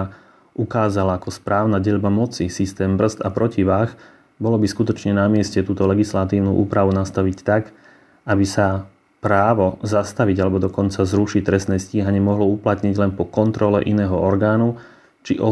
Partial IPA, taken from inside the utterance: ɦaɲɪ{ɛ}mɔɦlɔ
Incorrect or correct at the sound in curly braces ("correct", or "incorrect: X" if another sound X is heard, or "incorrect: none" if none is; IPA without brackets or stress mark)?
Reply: correct